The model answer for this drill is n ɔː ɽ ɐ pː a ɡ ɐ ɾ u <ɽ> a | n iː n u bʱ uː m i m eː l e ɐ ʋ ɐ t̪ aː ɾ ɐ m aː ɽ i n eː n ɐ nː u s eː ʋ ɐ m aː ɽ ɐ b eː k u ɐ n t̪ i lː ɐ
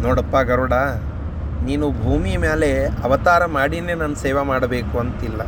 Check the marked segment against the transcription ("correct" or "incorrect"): correct